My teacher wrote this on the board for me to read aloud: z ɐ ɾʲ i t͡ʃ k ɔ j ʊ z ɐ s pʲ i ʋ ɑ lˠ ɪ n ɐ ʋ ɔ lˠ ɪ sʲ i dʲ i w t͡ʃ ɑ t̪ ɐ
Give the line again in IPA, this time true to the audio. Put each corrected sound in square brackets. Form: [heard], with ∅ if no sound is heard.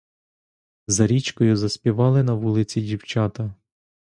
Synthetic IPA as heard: z ɐ ɾʲ i t͡ʃ k ɔ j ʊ z ɐ s pʲ i ʋ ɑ lˠ ɪ n ɐ ʋ [u] lˠ ɪ [t͡sʲ] i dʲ i w t͡ʃ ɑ t̪ ɐ